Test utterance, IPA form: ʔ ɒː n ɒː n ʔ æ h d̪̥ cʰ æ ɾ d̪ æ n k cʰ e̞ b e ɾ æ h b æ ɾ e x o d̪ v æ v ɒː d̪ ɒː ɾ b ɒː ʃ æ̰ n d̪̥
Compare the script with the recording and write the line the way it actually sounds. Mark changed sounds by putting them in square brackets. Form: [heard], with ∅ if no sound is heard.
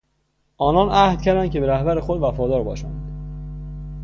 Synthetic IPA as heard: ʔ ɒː n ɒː n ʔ æ h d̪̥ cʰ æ ɾ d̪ æ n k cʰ e̞ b e ɾ æ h b æ ɾ e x o d̪ v æ [f] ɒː d̪ ɒː ɾ b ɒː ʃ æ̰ n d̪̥